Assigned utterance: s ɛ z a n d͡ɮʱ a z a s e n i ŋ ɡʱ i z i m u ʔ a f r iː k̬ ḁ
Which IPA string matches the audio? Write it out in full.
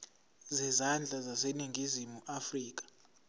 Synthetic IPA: z ɛ z a n d͡ɮʱ a z a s e n i ŋ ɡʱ i z i m u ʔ a f r iː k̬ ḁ